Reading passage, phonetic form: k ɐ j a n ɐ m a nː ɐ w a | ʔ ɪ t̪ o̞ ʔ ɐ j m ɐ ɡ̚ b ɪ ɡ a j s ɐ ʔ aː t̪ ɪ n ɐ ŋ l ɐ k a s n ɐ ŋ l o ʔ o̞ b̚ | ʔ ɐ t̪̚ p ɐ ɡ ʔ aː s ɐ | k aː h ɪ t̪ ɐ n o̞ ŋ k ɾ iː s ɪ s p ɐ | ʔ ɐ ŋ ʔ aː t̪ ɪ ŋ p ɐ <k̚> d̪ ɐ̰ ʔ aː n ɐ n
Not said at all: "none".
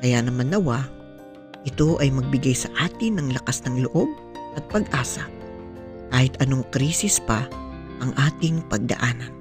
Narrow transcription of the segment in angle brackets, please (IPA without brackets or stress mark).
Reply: ɡ̚